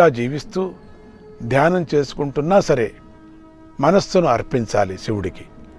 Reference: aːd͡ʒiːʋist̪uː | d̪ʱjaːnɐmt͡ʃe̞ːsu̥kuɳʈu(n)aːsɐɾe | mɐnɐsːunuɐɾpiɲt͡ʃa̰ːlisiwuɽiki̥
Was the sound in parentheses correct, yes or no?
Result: no